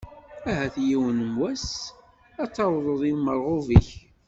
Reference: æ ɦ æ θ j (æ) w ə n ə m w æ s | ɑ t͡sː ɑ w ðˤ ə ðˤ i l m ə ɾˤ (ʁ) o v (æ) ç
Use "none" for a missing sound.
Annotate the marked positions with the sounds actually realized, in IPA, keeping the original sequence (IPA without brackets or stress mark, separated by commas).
i, ʁ, i